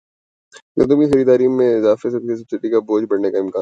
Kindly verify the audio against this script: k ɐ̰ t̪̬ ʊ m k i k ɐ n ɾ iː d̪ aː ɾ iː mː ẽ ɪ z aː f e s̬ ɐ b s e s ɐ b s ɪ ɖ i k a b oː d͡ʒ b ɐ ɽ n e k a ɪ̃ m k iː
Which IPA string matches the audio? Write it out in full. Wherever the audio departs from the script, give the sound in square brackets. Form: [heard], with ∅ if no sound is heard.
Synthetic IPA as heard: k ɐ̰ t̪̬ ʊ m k i [x] ɐ [∅] ɾ iː d̪ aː ɾ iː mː ẽ ɪ z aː f e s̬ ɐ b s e s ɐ b s ɪ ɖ i k a b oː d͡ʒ b ɐ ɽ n e k a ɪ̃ m k [aː]